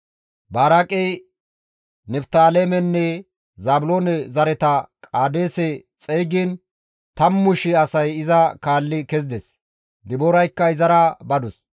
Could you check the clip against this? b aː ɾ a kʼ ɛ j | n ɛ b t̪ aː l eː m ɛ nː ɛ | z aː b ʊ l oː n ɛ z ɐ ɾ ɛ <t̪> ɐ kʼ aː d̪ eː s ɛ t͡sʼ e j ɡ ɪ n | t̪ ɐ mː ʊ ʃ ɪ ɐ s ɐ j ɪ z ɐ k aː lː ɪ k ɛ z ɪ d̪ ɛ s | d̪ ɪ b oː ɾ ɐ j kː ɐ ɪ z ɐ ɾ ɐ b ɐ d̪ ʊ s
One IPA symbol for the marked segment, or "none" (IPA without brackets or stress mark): t̪